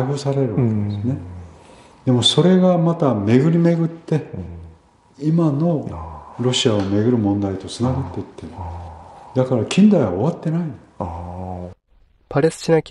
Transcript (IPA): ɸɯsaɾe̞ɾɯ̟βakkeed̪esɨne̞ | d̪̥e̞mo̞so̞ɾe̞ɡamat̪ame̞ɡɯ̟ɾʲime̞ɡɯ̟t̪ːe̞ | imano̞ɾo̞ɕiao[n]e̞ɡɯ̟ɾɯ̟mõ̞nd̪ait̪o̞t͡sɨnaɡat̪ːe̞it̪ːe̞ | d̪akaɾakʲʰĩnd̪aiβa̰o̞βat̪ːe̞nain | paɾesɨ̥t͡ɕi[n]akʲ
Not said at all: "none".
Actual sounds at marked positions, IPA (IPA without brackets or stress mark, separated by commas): m, n